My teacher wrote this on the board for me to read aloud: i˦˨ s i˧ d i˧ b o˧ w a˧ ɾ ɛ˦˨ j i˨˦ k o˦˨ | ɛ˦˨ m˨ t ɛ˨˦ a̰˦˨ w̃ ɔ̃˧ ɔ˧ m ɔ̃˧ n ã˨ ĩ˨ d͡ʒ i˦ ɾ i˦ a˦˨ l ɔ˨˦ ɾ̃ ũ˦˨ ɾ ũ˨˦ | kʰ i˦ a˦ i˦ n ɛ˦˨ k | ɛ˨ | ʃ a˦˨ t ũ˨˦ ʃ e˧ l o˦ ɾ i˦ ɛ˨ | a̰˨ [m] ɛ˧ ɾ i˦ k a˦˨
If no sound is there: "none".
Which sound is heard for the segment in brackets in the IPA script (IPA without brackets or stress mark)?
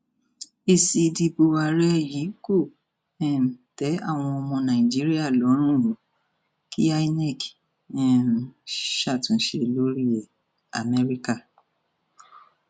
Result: m